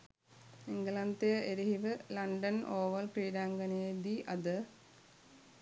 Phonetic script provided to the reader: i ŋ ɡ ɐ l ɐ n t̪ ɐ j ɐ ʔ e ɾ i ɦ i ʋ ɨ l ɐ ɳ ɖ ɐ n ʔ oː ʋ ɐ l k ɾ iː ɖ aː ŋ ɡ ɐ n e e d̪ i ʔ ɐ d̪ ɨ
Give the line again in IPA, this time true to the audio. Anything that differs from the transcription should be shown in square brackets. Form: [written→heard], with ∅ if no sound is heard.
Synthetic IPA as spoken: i ŋ ɡ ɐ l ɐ n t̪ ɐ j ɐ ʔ e ɾ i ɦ i ʋ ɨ l ɐ ɳ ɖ ɐ n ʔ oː ʋ ɐ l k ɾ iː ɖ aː ŋ ɡ ɐ n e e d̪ i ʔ ɐ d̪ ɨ